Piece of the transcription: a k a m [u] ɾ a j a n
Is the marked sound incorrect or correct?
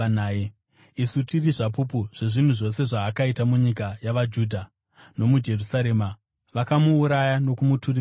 incorrect